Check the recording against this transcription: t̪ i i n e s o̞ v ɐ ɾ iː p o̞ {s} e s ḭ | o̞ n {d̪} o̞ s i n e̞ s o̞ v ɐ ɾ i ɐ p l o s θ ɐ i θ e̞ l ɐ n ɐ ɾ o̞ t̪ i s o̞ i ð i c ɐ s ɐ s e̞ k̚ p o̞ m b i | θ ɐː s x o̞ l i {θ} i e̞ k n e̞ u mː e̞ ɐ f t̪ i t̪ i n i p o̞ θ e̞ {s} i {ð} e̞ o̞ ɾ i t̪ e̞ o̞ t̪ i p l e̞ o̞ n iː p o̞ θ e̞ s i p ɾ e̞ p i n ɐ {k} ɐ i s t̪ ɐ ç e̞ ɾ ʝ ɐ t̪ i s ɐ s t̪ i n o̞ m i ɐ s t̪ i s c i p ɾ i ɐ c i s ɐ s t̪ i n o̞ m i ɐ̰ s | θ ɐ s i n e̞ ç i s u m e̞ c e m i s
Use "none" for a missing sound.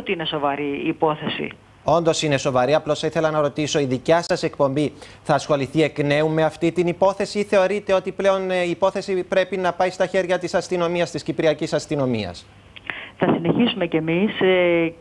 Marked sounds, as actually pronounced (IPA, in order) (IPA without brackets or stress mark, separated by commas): θ, d̪, θ, s, θ, p